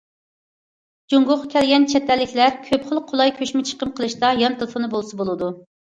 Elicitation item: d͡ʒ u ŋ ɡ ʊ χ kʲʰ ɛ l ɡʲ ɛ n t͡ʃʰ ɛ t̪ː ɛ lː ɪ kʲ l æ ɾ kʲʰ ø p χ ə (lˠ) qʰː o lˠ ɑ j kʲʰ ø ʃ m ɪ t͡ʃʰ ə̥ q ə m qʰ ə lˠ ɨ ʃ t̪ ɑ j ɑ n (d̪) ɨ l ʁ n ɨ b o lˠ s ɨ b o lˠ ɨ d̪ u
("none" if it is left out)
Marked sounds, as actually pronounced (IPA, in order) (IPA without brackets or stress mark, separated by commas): lˠ, t̪